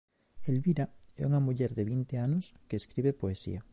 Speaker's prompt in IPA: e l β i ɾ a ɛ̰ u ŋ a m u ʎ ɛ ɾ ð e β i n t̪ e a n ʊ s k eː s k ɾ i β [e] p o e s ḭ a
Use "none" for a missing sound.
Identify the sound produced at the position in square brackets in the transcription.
e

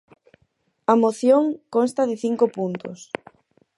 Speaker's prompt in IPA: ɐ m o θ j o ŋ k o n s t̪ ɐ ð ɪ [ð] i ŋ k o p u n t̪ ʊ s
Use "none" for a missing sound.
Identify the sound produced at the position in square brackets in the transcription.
θ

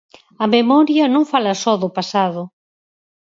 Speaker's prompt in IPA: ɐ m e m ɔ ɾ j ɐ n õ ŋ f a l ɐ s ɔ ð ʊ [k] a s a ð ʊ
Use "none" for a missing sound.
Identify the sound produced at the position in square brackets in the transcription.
p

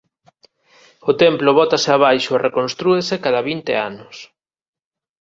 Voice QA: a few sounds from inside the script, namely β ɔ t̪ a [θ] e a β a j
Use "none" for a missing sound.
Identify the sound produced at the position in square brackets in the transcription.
s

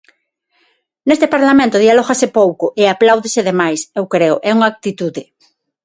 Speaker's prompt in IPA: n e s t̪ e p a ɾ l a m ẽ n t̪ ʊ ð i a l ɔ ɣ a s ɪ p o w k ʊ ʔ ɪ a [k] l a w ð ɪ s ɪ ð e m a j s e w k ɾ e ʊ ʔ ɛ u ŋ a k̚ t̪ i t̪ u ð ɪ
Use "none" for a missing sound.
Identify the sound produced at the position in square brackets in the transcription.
p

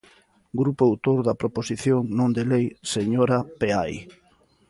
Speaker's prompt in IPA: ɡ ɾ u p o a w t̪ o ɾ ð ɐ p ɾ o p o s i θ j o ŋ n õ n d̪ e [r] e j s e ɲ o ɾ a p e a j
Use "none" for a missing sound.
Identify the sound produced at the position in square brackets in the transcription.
l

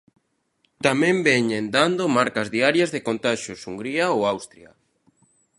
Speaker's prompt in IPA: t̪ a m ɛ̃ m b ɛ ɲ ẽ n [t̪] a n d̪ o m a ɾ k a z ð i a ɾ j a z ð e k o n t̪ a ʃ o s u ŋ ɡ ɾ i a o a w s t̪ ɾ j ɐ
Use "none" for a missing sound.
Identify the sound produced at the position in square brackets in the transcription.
d̪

